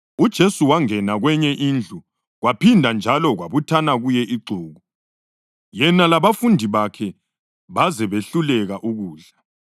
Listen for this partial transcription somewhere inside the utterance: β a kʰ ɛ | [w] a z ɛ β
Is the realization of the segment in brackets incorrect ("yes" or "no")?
yes